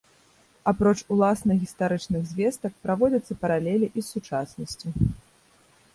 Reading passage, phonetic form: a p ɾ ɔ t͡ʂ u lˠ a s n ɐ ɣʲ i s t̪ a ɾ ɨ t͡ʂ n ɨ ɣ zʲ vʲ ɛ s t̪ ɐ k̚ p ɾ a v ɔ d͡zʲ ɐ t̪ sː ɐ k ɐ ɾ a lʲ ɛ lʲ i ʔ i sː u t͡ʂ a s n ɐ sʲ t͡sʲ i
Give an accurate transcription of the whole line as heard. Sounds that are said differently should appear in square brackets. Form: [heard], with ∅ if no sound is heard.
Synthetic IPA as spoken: a p ɾ ɔ t͡ʂ u lˠ a s n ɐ ɣʲ i s t̪ a ɾ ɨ t͡ʂ n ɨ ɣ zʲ vʲ ɛ s t̪ ɐ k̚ p ɾ a v ɔ d͡zʲ ɐ t̪ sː ɐ [p] ɐ ɾ a lʲ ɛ lʲ i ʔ i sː u t͡ʂ a s n ɐ sʲ t͡sʲ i